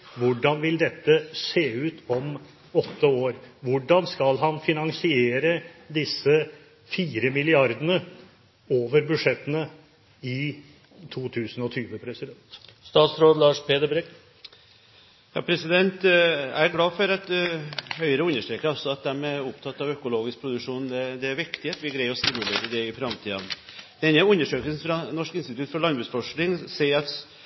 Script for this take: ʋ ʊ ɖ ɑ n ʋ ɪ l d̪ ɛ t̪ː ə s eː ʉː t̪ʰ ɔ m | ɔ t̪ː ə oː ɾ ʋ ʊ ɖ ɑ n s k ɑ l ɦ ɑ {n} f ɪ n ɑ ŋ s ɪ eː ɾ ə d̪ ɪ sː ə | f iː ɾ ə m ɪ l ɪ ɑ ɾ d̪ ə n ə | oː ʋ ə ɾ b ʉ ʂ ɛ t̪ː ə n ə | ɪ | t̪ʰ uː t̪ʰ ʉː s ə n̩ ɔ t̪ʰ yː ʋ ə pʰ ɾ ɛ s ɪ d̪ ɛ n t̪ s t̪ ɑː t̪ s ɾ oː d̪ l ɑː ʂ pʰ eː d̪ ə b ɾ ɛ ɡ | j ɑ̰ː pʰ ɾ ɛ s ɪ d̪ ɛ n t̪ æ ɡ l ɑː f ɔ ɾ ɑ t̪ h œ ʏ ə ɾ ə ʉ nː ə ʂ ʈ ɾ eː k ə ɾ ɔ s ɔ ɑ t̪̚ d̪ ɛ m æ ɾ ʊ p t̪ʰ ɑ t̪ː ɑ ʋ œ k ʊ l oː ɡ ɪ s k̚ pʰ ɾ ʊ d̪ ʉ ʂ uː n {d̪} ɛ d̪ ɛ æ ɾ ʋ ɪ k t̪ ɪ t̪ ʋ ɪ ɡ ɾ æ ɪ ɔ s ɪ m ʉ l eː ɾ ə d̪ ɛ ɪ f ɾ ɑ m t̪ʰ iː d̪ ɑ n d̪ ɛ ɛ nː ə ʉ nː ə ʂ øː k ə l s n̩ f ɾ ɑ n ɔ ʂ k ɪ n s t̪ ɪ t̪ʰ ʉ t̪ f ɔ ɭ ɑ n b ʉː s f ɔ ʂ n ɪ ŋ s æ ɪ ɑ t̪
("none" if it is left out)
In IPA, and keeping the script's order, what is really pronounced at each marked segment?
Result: n, d̪

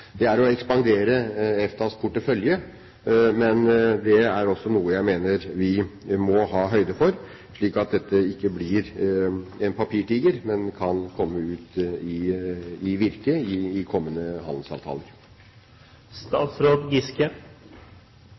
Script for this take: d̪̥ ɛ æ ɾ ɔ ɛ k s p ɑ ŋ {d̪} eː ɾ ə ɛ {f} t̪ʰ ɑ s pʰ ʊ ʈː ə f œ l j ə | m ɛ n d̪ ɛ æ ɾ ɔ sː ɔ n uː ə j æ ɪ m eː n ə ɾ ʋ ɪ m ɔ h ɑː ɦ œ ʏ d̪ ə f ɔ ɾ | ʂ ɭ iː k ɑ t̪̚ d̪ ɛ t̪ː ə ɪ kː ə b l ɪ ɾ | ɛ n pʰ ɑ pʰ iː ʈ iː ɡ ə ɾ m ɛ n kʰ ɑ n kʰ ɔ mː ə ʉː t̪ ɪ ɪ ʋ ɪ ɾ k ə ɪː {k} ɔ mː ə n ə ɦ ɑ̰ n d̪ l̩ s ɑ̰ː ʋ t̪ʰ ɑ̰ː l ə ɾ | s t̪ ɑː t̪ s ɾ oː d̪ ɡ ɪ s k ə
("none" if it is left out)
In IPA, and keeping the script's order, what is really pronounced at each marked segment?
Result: d̪, f, kʰ

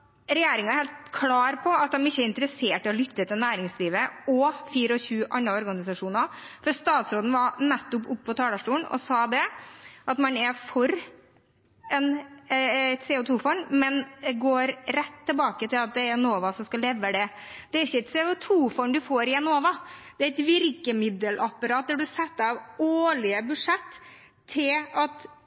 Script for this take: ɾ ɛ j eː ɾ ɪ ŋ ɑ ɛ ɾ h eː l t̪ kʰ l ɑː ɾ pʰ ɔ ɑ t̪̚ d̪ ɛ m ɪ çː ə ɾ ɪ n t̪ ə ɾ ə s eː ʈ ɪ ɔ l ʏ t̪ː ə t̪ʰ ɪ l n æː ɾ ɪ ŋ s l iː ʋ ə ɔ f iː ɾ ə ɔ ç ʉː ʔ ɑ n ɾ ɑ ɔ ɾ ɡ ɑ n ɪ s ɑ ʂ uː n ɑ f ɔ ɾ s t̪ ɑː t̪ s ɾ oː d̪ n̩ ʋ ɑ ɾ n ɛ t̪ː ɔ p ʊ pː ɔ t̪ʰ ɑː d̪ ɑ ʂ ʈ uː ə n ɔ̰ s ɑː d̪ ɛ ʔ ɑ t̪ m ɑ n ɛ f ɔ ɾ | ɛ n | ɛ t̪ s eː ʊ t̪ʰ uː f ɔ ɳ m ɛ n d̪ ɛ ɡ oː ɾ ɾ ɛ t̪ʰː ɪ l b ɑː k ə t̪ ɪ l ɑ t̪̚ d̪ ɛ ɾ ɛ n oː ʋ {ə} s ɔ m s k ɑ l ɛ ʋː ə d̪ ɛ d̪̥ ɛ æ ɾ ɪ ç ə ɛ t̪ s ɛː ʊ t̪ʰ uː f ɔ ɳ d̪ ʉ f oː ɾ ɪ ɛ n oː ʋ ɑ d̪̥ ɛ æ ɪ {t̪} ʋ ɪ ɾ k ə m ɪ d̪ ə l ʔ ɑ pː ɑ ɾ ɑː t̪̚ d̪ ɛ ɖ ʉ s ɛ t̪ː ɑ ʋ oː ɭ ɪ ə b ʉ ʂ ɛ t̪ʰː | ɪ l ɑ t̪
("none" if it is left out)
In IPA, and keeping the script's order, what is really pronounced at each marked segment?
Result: ɑ, t̪

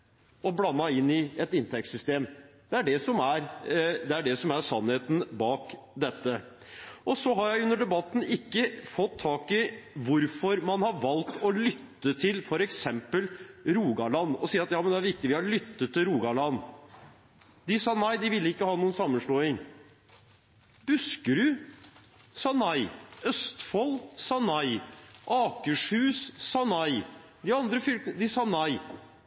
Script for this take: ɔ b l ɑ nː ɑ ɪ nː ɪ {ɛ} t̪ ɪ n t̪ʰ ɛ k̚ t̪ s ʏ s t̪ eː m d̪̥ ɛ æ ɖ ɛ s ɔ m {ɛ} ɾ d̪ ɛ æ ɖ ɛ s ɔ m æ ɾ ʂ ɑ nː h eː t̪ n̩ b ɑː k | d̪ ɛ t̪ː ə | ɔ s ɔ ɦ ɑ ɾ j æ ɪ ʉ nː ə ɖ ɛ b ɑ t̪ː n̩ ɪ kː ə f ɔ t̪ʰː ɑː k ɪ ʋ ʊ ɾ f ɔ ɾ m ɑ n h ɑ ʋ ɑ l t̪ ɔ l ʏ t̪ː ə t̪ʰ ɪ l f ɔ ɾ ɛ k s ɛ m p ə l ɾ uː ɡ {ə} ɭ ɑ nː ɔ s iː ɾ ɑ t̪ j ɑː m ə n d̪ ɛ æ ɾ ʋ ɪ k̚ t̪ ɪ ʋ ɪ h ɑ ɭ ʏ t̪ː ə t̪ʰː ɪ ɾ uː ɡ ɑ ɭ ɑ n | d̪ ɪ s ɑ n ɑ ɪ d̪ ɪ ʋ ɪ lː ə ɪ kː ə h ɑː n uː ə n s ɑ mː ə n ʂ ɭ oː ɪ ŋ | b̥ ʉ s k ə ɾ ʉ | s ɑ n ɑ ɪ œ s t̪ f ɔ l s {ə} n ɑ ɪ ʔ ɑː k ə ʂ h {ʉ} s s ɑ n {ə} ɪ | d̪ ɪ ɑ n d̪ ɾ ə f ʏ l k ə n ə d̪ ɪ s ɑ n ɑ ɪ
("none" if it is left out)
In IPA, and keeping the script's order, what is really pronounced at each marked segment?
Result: ɛ, æ, ɑ, ɑ, ʉː, ɑ

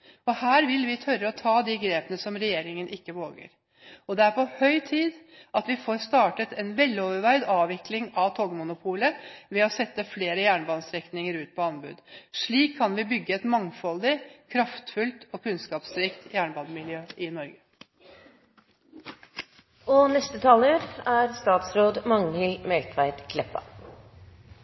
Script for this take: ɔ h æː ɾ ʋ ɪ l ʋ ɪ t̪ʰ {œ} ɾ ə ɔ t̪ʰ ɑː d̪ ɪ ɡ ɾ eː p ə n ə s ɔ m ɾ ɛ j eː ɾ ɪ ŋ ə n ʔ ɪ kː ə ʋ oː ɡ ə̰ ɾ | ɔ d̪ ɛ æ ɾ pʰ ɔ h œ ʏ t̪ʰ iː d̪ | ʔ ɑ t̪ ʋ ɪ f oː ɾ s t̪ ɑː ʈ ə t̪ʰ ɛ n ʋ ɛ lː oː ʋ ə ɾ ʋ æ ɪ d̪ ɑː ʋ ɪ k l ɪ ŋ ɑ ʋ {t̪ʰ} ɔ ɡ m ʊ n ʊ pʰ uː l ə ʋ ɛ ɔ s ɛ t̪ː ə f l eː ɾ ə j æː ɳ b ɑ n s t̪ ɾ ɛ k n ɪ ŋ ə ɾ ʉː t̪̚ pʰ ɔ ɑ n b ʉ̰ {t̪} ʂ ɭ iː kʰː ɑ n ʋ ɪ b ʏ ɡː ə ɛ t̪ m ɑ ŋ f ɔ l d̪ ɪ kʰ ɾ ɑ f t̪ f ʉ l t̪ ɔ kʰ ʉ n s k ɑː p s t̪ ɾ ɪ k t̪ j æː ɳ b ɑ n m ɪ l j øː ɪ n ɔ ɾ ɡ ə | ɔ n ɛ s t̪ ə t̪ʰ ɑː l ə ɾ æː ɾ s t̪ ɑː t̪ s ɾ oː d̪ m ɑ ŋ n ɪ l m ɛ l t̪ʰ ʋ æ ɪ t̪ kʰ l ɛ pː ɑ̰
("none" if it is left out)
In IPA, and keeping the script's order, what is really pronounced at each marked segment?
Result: œ, t̪ʰ, d̪

